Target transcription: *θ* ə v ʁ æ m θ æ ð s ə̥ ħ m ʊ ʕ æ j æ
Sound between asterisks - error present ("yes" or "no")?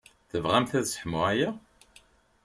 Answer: no